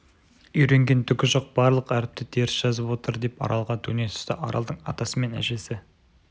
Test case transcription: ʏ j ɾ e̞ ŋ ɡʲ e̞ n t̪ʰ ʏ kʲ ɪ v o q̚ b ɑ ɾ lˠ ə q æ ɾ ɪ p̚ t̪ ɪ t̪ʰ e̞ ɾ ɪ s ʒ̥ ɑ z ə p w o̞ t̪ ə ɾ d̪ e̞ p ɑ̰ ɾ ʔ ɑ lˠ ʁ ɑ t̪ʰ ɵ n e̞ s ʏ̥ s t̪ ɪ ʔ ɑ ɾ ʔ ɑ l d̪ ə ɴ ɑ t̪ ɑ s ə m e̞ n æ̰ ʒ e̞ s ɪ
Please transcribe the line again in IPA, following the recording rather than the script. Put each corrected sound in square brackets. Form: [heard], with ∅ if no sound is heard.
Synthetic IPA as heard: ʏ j ɾ e̞ ŋ ɡʲ e̞ n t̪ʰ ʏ kʲ ɪ [ʒ] o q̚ b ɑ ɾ lˠ ə q æ ɾ ɪ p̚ t̪ ɪ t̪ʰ e̞ ɾ ɪ s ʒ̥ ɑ z ə p w o̞ t̪ ə ɾ d̪ e̞ p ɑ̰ ɾ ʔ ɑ lˠ ʁ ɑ t̪ʰ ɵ n e̞ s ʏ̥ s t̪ ɪ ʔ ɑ ɾ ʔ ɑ l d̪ ə ɴ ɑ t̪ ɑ s ə m e̞ n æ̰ ʒ e̞ s ɪ